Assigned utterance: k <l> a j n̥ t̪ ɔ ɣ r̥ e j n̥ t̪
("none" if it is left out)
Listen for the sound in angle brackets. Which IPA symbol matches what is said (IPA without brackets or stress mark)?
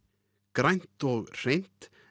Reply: ɾ